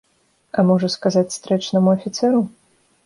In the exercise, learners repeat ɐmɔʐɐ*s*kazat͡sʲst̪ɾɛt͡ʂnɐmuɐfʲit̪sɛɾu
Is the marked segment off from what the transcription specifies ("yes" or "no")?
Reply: no